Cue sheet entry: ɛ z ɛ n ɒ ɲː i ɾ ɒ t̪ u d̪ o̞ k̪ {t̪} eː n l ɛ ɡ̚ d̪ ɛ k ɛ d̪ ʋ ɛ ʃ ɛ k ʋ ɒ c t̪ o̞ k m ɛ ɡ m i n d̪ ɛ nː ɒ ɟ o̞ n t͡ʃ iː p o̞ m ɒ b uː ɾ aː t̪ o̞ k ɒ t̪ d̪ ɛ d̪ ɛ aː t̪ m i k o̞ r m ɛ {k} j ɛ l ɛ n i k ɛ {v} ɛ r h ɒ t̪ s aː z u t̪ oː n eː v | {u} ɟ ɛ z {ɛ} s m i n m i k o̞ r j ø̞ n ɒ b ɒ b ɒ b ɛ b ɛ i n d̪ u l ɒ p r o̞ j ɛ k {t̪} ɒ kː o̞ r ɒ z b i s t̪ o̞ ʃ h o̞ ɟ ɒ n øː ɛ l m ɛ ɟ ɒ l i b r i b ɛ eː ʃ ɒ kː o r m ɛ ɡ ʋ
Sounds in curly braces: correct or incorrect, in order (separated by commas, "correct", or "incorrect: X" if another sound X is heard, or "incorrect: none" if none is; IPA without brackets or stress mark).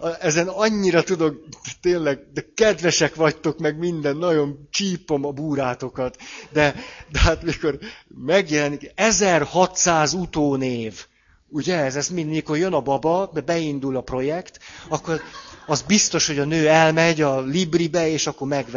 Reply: correct, incorrect: ɡ, incorrect: z, correct, correct, correct